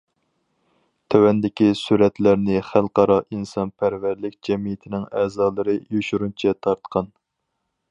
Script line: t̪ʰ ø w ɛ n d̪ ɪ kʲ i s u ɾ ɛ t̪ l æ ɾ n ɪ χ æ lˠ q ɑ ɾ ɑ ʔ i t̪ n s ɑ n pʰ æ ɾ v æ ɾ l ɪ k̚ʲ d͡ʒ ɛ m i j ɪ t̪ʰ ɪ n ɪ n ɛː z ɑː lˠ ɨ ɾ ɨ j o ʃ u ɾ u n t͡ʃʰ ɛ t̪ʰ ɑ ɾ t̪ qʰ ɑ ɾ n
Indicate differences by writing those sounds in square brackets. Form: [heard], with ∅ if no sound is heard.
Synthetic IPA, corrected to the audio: t̪ʰ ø w ɛ n d̪ ɪ kʲ i s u ɾ ɛ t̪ l æ ɾ n ɪ χ æ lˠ q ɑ ɾ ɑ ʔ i [∅] n s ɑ n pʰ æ ɾ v æ ɾ l ɪ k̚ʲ d͡ʒ ɛ m i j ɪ t̪ʰ ɪ n ɪ [ŋ] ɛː z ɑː lˠ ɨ ɾ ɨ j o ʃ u ɾ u n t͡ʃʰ ɛ t̪ʰ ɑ ɾ t̪ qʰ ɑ [∅] n

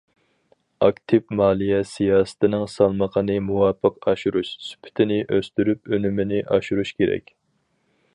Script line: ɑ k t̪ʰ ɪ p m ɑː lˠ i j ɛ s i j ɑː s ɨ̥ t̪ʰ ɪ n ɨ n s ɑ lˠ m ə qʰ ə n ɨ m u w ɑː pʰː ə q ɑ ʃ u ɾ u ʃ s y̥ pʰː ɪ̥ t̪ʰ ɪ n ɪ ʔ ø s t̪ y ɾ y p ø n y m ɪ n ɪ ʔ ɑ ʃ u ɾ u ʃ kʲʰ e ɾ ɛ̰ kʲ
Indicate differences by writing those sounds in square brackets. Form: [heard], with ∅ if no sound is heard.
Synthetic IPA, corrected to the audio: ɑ k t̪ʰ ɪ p m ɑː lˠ i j ɛ s i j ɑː s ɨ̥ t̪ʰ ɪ n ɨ [ŋ] s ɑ lˠ m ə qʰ ə n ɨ m u w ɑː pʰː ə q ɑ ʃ u ɾ u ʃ s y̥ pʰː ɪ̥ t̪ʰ ɪ n ɪ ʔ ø s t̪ y ɾ y p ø n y m ɪ n ɪ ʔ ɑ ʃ u ɾ u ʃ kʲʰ e ɾ ɛ̰ kʲ

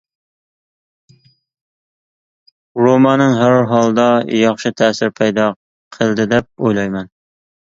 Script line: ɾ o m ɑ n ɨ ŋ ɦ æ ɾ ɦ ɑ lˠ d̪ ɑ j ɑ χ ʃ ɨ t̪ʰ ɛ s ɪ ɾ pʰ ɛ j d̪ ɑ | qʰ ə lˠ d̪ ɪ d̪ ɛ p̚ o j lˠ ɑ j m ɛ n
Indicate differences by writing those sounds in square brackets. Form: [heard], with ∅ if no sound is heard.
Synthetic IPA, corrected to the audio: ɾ o m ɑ n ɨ ŋ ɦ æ ɾ ɦ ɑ lˠ d̪ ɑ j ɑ χ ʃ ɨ t̪ʰ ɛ s ɪ ɾ pʰ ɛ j d̪ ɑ | qʰ ə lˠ d̪ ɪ d̪ ɛ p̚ o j lˠ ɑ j m ɛ n

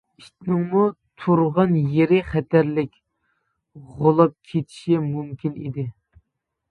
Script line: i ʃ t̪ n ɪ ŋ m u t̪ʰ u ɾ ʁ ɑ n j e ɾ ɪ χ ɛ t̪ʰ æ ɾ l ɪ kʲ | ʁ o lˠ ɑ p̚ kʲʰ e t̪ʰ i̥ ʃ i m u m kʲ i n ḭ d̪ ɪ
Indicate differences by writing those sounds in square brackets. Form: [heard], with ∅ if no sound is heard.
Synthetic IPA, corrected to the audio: i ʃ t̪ n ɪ ŋ m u t̪ʰ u ɾ ʁ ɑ n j e ɾ ɪ χ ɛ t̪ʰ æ ɾ l ɪ kʲ | ʁ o lˠ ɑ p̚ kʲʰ e t̪ʰ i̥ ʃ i m u m kʲ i n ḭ d̪ ɪ

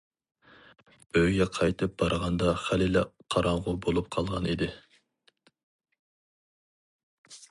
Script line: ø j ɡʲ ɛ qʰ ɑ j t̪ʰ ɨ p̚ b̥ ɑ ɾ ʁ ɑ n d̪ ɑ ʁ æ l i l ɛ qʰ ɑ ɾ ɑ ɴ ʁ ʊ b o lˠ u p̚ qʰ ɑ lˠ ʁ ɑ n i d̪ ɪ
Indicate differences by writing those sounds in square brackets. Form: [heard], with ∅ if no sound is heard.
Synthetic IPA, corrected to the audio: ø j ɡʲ ɛ qʰ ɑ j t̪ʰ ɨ p̚ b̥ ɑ ɾ ʁ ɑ n d̪ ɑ [χ] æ l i l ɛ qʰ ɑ ɾ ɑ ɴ ʁ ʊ b o lˠ u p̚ qʰ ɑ lˠ ʁ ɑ n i d̪ ɪ

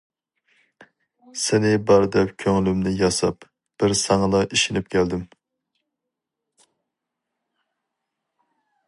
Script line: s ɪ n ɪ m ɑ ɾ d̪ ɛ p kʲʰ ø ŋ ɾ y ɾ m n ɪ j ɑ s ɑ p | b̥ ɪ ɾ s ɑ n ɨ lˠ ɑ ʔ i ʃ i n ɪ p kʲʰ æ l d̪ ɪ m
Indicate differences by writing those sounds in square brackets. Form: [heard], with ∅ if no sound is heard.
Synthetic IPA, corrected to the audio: s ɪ n ɪ [b] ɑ ɾ d̪ ɛ p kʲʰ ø ŋ [l] y [∅] m n ɪ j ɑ s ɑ p | b̥ ɪ ɾ s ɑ [ŋ] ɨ lˠ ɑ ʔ i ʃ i n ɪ p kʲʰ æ l d̪ ɪ m

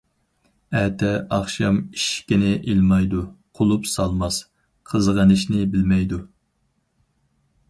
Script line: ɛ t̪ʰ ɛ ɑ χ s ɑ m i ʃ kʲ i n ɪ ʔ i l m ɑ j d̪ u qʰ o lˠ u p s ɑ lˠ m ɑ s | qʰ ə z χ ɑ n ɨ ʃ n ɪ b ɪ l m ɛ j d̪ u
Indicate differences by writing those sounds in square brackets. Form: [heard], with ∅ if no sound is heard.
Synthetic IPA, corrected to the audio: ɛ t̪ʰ ɛ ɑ χ [ʃ] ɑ m i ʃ kʲ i n ɪ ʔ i l m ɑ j d̪ u qʰ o lˠ u p s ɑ lˠ m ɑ s | qʰ ə z [ʁ] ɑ n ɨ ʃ n ɪ b ɪ l m ɛ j d̪ u

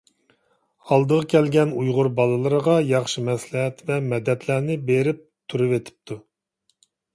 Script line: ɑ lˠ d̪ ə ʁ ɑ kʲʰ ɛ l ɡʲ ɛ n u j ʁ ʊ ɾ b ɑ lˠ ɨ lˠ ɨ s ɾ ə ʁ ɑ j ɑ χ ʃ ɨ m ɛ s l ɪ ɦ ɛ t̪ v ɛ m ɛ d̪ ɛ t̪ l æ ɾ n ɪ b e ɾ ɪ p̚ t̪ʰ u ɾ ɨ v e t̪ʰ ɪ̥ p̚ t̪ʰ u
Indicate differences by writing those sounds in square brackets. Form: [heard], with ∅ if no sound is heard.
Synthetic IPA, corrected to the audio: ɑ lˠ d̪ ə ʁ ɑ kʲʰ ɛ l ɡʲ ɛ n u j ʁ ʊ ɾ b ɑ lˠ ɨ lˠ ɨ [∅] ɾ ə ʁ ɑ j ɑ χ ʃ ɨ m ɛ s l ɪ ɦ ɛ t̪ v ɛ m ɛ d̪ ɛ t̪ l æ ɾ n ɪ b e ɾ ɪ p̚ t̪ʰ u ɾ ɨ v e t̪ʰ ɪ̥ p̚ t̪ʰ u

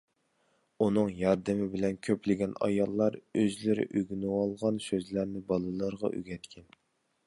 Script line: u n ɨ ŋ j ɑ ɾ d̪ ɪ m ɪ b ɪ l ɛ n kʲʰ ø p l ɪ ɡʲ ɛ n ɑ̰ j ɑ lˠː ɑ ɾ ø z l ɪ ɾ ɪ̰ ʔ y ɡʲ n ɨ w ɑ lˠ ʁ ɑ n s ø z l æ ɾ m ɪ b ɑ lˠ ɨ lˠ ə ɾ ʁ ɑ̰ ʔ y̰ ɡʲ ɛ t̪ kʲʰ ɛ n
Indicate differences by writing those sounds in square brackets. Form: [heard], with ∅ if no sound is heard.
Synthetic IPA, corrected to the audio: u n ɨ ŋ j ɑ ɾ d̪ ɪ m ɪ b ɪ l ɛ n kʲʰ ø p l ɪ ɡʲ ɛ n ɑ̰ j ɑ lˠː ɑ ɾ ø z l ɪ ɾ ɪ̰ ʔ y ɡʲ n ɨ w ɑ lˠ ʁ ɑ n s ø z l æ ɾ [n] ɪ b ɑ lˠ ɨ lˠ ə ɾ ʁ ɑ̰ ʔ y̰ ɡʲ ɛ t̪ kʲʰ ɛ n

